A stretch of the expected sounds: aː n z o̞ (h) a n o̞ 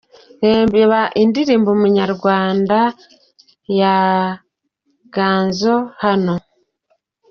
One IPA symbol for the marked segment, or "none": h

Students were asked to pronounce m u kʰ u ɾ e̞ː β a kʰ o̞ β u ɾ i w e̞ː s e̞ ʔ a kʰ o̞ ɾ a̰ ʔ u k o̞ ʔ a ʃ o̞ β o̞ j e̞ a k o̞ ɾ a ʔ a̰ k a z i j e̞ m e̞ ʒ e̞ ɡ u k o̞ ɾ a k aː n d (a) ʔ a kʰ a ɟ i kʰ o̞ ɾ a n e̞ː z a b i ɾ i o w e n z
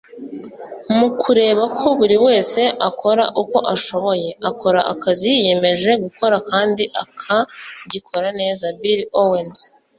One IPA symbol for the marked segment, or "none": i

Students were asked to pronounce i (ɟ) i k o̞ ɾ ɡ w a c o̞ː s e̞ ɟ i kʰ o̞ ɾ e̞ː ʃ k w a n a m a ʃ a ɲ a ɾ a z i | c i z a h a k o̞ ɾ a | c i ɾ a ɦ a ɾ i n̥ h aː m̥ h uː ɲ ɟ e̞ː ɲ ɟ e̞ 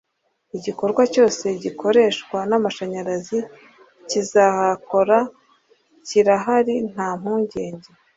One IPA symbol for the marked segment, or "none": ɟ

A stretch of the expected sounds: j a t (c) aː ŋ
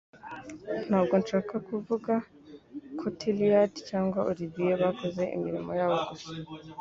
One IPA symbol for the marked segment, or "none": c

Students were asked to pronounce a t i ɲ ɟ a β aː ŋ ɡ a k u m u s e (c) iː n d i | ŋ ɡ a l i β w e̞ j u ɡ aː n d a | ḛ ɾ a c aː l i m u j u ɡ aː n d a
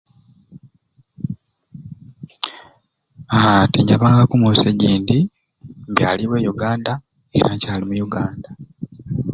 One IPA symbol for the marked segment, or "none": ɟ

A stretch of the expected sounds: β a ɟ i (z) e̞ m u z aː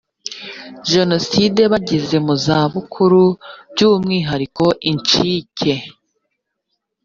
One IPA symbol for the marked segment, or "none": z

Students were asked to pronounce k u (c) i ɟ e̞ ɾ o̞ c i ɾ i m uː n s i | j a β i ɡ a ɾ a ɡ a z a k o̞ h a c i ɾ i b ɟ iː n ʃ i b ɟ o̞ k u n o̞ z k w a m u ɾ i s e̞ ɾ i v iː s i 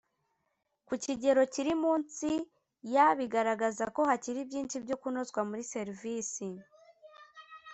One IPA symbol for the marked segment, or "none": c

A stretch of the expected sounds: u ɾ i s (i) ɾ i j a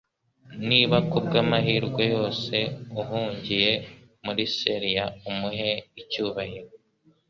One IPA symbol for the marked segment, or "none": e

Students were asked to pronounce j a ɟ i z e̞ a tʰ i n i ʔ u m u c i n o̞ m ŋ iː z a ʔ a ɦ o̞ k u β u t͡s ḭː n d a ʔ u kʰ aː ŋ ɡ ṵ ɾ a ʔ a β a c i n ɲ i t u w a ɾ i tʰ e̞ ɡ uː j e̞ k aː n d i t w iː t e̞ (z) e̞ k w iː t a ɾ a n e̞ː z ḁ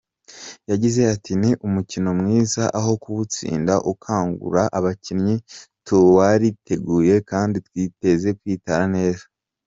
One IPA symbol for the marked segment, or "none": z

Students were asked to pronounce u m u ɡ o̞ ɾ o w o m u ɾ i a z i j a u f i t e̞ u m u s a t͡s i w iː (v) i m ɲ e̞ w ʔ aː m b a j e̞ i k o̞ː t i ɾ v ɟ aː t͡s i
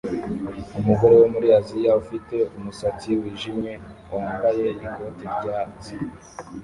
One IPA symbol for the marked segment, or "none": ʒ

